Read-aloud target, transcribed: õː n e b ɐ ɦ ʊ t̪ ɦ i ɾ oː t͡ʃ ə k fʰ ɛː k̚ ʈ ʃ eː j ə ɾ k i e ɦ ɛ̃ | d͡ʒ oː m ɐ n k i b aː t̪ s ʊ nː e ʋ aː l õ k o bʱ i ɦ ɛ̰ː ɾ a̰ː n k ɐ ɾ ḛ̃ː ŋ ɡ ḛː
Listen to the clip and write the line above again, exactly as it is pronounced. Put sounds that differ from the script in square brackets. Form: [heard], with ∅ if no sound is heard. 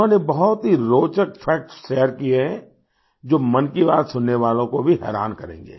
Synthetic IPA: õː n e b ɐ ɦ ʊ t̪ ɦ i ɾ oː t͡ʃ ə k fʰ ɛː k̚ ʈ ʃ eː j ə ɾ k i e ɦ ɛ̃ | d͡ʒ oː m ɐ n k i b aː t̪ s ʊ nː e ʋ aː l õ k o bʱ i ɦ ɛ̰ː ɾ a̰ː n k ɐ ɾ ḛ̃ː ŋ ɡ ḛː

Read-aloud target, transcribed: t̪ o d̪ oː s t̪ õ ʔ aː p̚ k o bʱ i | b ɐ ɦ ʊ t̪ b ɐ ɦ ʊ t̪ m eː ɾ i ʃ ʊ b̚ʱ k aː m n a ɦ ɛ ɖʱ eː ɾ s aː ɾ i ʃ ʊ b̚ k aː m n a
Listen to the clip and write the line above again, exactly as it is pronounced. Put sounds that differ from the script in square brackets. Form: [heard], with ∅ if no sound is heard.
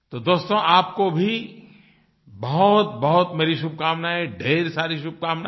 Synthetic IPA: t̪ o d̪ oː s t̪ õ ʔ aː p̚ k o bʱ i | b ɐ ɦ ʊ t̪ b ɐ ɦ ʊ t̪ m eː ɾ i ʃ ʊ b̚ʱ k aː m n a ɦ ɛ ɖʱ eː ɾ s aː ɾ i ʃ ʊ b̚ k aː m n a

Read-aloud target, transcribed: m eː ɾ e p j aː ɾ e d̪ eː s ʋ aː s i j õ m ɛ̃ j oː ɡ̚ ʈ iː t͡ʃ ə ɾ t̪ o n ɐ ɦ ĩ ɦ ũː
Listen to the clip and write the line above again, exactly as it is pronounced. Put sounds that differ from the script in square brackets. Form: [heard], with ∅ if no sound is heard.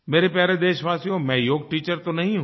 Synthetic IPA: m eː ɾ e p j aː ɾ e d̪ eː [ʃ] ʋ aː s i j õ m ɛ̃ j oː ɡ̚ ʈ iː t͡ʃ ə ɾ t̪ o n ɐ ɦ ĩ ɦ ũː

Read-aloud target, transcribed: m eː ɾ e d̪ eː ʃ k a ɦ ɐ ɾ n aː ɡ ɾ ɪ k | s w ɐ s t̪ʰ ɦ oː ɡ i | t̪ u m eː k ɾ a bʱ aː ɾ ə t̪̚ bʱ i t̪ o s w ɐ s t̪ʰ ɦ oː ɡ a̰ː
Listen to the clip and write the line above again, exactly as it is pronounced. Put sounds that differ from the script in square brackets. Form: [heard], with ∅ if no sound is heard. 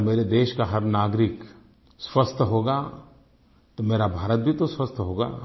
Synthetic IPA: m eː ɾ e d̪ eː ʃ k a ɦ ɐ ɾ n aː ɡ ɾ ɪ k | s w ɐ s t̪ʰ ɦ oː ɡ [a] | t̪ [o] m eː [∅] ɾ a bʱ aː ɾ ə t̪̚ bʱ i t̪ o s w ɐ s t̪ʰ ɦ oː ɡ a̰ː

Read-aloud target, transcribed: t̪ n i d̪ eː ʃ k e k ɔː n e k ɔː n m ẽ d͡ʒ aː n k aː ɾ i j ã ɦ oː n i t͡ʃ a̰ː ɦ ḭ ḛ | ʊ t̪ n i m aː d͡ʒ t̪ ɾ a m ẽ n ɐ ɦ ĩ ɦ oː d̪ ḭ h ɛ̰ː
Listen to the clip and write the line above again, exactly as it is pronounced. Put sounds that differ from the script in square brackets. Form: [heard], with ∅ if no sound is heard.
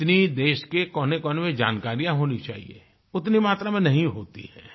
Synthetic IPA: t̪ n i d̪ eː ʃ k e k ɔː n e k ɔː n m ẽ d͡ʒ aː n k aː ɾ i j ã ɦ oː n i t͡ʃ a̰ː ɦ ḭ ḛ | ʊ t̪ n i m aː [∅] t̪ ɾ a m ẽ n ɐ ɦ ĩ ɦ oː [t̪] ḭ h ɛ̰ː

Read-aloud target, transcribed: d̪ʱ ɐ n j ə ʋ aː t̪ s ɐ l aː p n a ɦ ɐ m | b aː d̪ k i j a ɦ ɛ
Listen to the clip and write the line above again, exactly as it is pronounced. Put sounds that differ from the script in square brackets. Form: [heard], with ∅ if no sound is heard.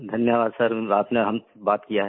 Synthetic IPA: d̪ʱ ɐ n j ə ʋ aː [d̪] s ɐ [ɾ] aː p n [e] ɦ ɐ m | b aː [t̪] k i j a ɦ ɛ

